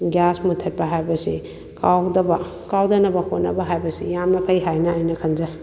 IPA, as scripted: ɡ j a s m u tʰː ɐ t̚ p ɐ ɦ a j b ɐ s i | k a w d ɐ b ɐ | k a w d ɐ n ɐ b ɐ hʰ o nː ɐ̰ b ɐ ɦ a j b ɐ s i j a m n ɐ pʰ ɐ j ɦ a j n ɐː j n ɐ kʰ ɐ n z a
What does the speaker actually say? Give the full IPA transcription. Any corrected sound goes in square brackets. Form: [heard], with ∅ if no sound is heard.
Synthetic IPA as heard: ɡ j a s m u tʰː ɐ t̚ p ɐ ɦ a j b ɐ s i | k a w d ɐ b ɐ | k a w d ɐ n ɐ b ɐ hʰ o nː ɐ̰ b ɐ ɦ a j b ɐ s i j a m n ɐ pʰ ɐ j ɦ a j n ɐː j n ɐ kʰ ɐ n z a